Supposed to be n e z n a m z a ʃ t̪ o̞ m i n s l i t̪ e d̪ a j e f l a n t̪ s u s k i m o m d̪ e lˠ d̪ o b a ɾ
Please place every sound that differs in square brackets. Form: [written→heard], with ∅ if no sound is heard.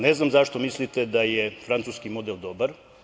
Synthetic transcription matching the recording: n e z n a m z a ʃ t̪ o̞ m i [n→∅] s l i t̪ e d̪ a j e f [l→ɾ] a n t̪ s u s k i m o [m→∅] d̪ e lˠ d̪ o b a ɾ